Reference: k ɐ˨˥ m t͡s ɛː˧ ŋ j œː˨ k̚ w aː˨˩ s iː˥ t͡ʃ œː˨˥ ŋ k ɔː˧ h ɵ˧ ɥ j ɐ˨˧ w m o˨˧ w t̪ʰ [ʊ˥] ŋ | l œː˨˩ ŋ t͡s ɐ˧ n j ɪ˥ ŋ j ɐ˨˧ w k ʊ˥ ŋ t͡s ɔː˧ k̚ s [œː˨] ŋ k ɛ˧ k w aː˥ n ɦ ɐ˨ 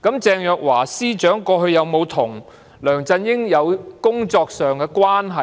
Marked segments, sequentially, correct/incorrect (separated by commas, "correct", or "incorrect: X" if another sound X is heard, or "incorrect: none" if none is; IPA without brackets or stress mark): incorrect: ʊ˨˩, correct